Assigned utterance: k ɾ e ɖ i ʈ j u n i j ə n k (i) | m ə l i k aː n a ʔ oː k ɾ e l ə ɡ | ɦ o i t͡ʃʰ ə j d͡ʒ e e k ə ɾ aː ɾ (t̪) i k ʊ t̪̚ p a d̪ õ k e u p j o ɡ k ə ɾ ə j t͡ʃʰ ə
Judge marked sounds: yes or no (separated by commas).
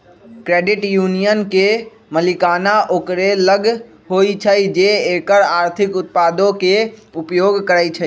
no, no